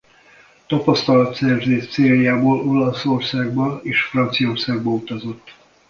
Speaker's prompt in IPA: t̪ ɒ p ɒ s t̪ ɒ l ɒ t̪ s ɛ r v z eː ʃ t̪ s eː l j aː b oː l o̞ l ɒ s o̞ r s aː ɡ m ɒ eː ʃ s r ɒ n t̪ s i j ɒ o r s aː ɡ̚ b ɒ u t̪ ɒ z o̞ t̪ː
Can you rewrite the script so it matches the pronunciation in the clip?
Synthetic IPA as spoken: t̪ ɒ p ɒ s t̪ ɒ l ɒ t̪ s ɛ r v z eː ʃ t̪ s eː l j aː b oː l o̞ l ɒ s o̞ r s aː ɡ b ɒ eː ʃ f r ɒ n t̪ s i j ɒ o r s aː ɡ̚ b ɒ u t̪ ɒ z o̞ t̪ː